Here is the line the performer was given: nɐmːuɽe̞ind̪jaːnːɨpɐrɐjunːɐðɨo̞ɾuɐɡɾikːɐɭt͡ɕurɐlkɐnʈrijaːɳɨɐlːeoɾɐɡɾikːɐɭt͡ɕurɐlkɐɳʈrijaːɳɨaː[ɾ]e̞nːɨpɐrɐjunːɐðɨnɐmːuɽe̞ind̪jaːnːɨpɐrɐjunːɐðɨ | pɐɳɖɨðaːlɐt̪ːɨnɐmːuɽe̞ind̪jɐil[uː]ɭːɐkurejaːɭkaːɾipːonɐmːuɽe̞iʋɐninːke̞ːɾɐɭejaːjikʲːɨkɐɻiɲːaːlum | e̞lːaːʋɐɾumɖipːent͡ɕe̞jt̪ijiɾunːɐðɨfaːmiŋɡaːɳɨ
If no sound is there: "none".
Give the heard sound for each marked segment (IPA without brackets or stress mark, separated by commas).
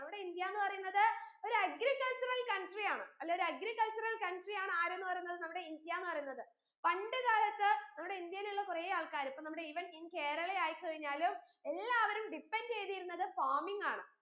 ɾ, u